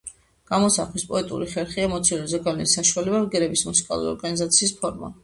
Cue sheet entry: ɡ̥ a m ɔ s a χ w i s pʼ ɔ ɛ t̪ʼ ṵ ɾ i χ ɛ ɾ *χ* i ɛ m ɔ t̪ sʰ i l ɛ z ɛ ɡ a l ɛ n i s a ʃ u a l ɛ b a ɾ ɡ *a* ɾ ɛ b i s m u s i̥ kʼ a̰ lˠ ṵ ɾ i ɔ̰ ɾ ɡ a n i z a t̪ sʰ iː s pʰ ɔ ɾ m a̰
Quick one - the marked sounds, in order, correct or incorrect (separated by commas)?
correct, incorrect